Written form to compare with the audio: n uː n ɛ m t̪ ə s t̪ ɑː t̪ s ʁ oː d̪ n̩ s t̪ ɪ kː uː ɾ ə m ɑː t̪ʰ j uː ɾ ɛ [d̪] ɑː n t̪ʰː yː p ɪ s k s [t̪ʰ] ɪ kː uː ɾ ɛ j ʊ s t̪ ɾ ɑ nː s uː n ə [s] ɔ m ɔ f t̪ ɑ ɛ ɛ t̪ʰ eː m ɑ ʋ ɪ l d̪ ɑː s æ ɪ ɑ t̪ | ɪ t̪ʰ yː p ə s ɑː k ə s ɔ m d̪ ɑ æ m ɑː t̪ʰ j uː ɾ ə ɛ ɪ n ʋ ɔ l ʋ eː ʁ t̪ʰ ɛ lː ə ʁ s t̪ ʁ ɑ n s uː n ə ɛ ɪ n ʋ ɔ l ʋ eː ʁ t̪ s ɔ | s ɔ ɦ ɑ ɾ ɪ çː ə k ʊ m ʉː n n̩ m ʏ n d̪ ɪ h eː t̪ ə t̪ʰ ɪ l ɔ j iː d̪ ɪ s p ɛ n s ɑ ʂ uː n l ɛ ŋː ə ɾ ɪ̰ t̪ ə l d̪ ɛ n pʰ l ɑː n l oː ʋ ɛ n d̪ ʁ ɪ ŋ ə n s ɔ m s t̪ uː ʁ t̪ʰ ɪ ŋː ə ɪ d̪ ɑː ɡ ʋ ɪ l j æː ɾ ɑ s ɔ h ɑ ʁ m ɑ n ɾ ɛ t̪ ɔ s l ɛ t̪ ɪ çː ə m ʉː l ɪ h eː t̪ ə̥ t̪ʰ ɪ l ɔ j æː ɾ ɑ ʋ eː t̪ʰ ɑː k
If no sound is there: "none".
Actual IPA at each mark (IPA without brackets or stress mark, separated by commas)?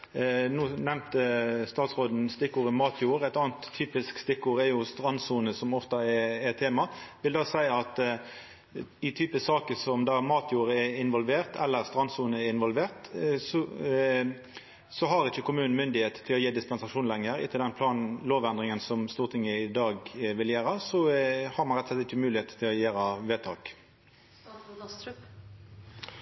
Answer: t̪, t̪, s